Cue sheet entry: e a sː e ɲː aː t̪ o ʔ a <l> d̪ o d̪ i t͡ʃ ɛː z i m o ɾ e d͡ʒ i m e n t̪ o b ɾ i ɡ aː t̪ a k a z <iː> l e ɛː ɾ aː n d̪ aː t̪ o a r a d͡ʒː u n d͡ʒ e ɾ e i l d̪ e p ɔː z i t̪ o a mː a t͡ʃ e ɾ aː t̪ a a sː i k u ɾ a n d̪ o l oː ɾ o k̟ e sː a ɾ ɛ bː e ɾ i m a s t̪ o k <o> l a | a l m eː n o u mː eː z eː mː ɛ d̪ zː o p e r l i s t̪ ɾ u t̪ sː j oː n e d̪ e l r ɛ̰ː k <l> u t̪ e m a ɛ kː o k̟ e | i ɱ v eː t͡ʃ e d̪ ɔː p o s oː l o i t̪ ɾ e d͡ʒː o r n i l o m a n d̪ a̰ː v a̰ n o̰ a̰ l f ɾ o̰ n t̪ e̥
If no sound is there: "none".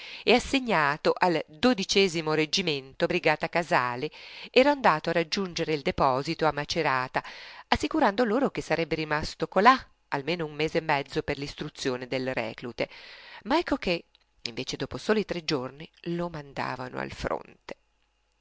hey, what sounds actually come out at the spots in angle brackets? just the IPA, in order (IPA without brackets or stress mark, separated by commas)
l, aː, o, l